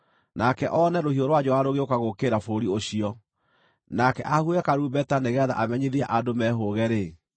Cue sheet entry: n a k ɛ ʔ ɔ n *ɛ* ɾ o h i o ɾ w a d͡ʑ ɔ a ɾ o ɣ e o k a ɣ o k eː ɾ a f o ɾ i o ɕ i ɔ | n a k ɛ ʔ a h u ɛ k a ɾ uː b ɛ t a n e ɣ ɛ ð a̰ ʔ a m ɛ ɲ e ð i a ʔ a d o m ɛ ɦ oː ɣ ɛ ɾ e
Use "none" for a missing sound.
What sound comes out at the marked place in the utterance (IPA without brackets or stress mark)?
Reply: ɛ